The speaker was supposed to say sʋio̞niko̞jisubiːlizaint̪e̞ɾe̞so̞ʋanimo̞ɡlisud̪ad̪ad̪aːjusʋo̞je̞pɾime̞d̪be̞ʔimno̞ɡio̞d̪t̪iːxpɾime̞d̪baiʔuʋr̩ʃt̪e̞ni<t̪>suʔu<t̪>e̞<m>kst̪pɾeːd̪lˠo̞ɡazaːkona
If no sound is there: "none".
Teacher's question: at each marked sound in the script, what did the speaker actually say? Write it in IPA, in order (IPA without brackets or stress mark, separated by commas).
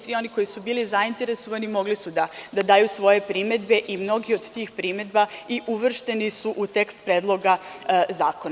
none, t̪, none